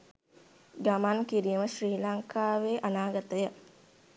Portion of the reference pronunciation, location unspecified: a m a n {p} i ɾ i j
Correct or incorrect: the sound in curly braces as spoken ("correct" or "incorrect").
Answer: incorrect